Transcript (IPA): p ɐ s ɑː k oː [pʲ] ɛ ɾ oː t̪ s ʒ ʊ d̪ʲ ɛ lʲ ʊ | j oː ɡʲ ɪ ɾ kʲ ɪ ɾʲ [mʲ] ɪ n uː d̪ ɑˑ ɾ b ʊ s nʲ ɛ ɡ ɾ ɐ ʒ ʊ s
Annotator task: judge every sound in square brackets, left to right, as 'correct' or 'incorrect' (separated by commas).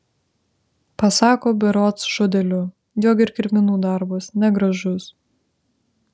incorrect, correct